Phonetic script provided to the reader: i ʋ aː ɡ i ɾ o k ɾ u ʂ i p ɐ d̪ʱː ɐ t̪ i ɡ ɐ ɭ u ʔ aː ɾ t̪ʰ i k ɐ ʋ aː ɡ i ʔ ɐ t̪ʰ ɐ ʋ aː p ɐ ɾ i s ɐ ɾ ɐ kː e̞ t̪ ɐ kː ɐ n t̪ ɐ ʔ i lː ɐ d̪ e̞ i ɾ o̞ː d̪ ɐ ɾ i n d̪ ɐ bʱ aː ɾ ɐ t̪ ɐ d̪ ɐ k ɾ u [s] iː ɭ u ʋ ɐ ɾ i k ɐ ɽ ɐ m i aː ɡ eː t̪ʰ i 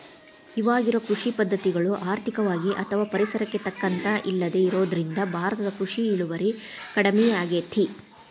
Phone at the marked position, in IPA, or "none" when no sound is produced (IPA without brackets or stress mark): ʂ